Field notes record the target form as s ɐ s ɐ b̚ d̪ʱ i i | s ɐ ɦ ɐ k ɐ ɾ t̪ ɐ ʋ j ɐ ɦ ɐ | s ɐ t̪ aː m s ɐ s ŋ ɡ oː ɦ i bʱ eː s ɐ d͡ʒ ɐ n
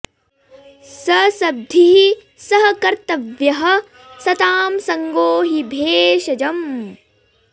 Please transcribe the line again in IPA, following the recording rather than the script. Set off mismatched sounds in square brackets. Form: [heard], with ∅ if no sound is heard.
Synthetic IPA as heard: s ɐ s ɐ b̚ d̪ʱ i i | s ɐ ɦ ɐ k ɐ ɾ t̪ ɐ ʋ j ɐ ɦ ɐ | s ɐ t̪ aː m s ɐ [∅] ŋ ɡ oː ɦ i bʱ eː [ʃ] ɐ d͡ʒ ɐ [m]